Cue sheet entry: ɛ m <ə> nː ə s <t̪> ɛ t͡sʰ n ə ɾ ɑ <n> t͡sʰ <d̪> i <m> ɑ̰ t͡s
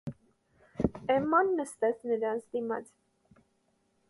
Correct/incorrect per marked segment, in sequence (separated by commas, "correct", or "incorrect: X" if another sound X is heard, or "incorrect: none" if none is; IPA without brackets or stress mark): incorrect: ɑ, correct, correct, correct, correct